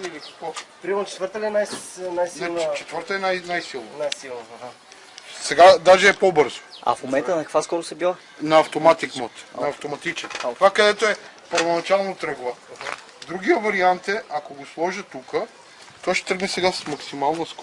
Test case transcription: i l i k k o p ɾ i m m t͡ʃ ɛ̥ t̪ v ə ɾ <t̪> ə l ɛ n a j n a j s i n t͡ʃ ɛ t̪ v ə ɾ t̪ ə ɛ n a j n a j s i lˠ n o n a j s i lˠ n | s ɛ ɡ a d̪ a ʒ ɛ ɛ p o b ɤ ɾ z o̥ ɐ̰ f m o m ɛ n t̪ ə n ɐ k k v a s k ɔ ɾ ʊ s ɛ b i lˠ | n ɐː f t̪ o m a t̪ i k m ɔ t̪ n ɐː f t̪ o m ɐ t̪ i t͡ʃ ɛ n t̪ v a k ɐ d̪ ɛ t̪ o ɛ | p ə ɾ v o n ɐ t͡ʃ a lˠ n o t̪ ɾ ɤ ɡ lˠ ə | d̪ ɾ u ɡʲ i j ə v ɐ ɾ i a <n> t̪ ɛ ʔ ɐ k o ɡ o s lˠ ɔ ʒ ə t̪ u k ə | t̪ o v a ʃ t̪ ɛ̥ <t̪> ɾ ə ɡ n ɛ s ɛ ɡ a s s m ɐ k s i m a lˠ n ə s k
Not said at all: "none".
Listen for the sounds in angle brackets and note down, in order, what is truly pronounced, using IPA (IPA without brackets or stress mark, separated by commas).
t̪, n, t̪